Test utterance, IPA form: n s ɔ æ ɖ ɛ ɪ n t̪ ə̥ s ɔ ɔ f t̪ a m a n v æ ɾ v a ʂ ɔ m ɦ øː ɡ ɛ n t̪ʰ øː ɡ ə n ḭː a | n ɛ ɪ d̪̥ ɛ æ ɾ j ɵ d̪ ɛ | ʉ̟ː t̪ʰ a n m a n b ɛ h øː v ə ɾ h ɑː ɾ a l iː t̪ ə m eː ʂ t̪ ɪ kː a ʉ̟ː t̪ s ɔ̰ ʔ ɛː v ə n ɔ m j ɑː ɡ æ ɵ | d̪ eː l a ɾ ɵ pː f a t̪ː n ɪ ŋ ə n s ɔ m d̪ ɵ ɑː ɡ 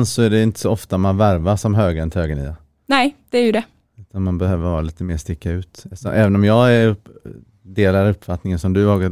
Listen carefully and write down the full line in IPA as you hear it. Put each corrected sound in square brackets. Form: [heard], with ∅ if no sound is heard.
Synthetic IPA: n s ɔ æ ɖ ɛ ɪ n t̪ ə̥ s ɔ ɔ f t̪ a m a n v æ ɾ v a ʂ ɔ m ɦ øː ɡ ɛ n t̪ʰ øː ɡ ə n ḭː a | n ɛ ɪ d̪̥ ɛ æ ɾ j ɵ d̪ ɛ | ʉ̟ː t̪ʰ a n m a n b ɛ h øː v ə ɾ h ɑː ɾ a l iː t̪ ə m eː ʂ t̪ ɪ kː a ʉ̟ː t̪ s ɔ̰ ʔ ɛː v ə n ɔ m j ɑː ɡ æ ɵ | d̪ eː l a ɾ ɵ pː f a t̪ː n ɪ ŋ ə n s ɔ m d̪ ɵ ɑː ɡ